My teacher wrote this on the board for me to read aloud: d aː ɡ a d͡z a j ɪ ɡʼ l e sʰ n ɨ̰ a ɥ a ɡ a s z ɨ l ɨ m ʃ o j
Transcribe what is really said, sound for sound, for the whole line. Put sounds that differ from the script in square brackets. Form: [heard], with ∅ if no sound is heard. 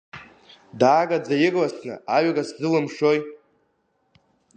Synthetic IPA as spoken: d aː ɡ a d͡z a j ɪ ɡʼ l [a] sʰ n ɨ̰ a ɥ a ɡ a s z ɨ l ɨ m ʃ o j